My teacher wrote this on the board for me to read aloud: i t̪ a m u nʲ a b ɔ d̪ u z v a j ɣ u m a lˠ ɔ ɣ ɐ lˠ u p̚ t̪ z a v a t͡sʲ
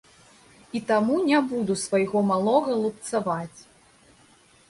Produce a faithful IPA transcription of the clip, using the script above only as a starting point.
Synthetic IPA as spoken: i t̪ a m u nʲ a b u d̪ u s v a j ɣ ɔ m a lˠ ɔ ɣ ɐ lˠ u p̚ t̪ s a v a t͡sʲ